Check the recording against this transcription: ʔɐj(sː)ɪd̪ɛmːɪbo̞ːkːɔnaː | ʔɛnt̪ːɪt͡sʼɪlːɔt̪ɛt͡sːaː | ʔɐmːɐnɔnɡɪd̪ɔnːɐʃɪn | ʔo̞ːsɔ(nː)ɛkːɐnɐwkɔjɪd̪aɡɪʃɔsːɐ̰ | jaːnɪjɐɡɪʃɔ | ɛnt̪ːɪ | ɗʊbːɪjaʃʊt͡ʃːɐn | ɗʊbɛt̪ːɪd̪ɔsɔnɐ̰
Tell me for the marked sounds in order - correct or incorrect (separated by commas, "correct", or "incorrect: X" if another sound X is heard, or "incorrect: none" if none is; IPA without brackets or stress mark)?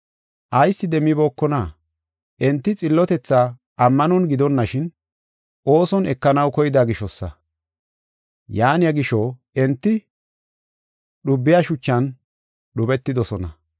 correct, incorrect: n